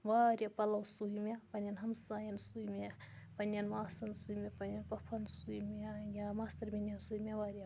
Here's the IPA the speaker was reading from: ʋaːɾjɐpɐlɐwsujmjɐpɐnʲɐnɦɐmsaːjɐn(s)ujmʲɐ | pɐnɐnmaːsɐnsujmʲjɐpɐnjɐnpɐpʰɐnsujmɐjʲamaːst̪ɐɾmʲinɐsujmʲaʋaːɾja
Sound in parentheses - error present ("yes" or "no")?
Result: no